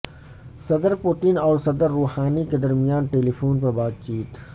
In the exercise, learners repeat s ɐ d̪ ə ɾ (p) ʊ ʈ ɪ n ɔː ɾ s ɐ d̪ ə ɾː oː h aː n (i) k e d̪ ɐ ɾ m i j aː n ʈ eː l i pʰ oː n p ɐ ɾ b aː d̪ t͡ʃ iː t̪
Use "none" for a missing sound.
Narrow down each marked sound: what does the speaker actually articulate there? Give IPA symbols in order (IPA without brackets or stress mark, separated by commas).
p, i